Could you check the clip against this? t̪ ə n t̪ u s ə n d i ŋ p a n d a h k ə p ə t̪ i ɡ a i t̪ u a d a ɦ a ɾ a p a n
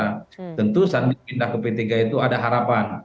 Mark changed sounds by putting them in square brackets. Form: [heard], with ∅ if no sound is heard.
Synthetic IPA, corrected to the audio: t̪ ə n t̪ u s [a] n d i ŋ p [i] n d a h k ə p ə t̪ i ɡ a i t̪ u a d a ɦ a ɾ a p a n